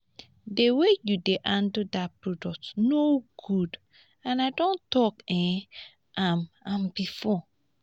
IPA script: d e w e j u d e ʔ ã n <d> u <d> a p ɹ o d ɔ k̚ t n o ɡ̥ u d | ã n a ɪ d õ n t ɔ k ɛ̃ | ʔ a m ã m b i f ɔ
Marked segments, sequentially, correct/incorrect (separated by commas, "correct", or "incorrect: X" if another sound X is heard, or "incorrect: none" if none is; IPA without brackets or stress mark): correct, correct